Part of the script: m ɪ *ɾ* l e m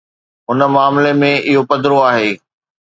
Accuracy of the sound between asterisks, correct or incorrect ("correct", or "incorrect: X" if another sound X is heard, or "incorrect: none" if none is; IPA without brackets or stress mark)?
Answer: incorrect: none